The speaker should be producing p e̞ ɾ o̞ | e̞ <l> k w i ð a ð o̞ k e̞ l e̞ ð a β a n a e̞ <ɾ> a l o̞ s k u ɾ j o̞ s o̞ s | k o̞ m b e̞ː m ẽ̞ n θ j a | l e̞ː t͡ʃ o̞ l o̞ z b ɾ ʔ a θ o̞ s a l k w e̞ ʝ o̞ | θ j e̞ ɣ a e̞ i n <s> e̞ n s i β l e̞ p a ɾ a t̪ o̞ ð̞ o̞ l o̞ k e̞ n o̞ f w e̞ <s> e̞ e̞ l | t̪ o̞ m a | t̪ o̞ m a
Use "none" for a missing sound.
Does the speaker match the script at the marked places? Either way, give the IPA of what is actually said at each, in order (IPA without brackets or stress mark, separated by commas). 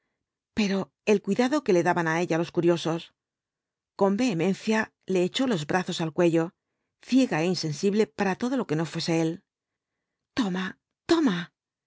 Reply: l, ʎ, s, s